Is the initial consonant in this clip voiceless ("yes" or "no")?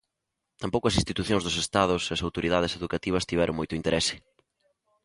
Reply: yes